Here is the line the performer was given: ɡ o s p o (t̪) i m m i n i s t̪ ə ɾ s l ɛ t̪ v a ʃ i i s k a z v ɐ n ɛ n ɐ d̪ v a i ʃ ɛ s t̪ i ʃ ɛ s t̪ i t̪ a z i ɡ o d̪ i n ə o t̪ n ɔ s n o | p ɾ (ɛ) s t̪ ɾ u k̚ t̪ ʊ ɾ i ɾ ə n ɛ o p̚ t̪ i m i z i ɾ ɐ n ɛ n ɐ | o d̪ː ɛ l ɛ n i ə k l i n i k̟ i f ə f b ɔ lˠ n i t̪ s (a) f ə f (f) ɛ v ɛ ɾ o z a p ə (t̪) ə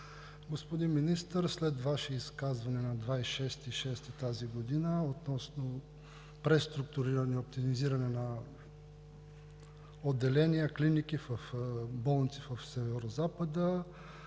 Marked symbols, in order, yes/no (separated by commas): no, yes, no, no, no